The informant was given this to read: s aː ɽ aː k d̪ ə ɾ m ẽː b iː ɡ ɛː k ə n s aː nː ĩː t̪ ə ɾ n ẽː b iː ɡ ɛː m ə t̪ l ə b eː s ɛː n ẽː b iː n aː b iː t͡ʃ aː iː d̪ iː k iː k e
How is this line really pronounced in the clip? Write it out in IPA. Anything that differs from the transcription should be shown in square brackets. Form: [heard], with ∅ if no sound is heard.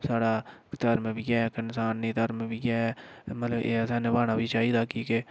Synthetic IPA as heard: s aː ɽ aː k [t̪] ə ɾ m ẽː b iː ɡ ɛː k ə n s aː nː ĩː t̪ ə ɾ [m] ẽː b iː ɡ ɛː m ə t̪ l ə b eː s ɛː n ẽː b [aː] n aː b iː t͡ʃ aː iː d̪ [aː] k iː k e